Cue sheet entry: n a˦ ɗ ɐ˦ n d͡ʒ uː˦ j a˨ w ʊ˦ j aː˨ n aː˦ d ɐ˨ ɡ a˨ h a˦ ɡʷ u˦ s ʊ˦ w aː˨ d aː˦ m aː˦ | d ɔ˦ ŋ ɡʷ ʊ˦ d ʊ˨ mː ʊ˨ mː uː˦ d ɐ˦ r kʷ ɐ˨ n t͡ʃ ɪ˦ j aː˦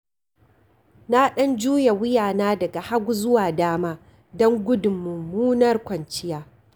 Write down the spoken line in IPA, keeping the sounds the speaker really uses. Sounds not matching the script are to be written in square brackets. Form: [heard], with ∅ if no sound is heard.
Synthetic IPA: n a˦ ɗ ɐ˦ n d͡ʒ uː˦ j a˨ w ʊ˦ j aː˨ n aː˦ d ɐ˨ ɡ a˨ h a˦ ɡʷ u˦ [z] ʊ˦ w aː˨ d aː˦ m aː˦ | d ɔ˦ ŋ ɡʷ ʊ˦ d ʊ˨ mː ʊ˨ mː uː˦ [n] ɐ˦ r kʷ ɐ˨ n t͡ʃ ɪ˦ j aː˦

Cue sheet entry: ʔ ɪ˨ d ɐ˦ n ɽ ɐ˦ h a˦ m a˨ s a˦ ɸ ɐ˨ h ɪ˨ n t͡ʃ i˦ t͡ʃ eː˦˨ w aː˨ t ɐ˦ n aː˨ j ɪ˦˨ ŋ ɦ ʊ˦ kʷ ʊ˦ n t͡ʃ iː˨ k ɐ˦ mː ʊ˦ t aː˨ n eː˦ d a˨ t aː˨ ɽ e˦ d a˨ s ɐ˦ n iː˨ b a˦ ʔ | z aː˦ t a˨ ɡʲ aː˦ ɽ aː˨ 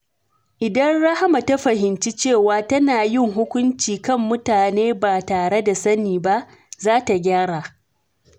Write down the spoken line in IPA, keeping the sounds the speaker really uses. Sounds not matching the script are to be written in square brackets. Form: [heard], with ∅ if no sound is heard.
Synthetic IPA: ʔ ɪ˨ d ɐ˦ n ɽ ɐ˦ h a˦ m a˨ [t] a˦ ɸ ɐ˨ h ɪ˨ n t͡ʃ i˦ t͡ʃ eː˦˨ w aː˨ t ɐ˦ n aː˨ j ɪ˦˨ ŋ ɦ ʊ˦ kʷ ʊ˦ n t͡ʃ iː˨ k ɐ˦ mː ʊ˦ t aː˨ n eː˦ [b] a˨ t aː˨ ɽ e˦ d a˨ s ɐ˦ n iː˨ b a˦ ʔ | z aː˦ t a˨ ɡʲ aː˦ ɽ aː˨

